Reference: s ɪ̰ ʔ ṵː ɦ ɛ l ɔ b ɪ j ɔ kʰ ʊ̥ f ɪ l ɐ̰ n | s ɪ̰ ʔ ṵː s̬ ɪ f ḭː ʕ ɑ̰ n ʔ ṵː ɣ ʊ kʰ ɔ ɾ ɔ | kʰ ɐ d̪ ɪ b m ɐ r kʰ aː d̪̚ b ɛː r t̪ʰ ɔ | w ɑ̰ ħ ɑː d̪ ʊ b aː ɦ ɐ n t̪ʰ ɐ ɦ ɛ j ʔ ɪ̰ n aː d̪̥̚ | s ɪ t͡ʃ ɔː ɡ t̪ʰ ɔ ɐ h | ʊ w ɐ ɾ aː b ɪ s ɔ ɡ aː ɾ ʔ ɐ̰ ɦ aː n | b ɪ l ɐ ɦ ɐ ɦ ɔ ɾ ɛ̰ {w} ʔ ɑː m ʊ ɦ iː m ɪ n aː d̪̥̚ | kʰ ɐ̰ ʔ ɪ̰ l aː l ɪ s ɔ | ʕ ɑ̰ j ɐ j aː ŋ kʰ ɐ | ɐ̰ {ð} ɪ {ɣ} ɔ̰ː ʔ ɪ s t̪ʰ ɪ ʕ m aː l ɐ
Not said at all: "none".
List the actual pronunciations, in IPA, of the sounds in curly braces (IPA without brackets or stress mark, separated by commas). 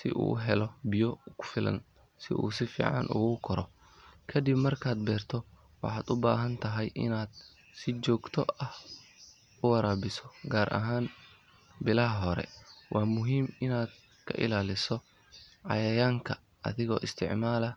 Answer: w, ð, ɣ